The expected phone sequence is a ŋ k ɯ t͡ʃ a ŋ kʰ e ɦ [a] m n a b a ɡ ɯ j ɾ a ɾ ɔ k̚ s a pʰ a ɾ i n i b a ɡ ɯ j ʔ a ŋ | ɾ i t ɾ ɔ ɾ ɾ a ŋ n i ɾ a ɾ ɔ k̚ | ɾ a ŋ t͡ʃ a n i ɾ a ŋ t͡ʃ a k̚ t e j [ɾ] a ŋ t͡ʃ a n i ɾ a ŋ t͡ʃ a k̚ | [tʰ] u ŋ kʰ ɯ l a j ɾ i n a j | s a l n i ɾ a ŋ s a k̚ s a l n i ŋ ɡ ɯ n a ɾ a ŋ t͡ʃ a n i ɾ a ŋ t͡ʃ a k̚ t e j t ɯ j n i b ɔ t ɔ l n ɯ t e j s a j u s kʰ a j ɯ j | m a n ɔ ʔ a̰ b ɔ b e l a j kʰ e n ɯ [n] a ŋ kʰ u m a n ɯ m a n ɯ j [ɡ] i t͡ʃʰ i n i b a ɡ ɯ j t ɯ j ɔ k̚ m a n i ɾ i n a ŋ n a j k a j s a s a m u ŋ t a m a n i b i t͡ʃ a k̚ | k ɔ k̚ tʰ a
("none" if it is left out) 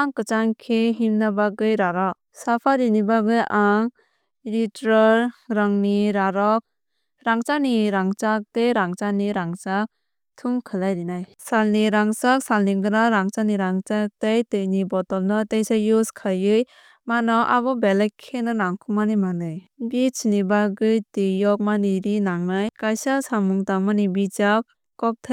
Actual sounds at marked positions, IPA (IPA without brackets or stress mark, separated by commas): i, ɾ, tʰ, n, b